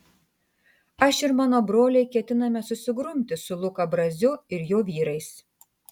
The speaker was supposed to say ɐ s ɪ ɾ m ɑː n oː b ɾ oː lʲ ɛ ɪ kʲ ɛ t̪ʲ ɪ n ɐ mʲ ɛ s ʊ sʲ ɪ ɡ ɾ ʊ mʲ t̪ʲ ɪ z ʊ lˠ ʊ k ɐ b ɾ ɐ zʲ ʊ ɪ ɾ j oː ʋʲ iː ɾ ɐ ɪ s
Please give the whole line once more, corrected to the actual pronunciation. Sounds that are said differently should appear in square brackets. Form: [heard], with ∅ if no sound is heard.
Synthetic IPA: ɐ [ʃ] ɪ ɾ m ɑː n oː b ɾ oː lʲ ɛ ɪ kʲ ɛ t̪ʲ ɪ n ɐ mʲ ɛ s ʊ sʲ ɪ ɡ ɾ ʊ mʲ t̪ʲ ɪ [s] ʊ lˠ ʊ k ɐ b ɾ ɐ zʲ ʊ ɪ ɾ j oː ʋʲ iː ɾ ɐ ɪ s